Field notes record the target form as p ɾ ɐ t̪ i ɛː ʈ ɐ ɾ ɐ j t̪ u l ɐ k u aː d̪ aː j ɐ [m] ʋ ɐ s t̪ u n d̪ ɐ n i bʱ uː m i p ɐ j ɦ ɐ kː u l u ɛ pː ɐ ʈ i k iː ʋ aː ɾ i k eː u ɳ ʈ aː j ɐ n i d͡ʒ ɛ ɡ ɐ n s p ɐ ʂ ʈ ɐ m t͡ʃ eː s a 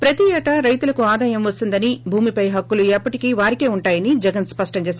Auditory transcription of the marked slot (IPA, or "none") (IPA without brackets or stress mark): m